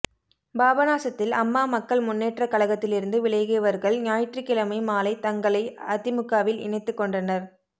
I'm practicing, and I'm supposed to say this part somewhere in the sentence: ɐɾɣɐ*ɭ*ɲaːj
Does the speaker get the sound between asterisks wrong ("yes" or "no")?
no